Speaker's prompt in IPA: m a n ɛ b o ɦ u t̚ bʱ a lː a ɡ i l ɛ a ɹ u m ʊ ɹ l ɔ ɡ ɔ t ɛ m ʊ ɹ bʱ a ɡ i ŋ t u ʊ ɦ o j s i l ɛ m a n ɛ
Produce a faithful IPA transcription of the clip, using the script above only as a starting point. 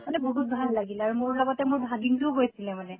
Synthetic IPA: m a n ɛ b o ɦ u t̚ bʱ a lː a ɡ i l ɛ a ɹ u m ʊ ɹ l ɔ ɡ ɔ t ɛ m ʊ ɹ bʱ a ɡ i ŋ t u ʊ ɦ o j s i l ɛ m a n ɛ